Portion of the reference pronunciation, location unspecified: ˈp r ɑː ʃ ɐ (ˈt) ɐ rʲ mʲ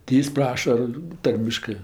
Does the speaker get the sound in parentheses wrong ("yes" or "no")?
no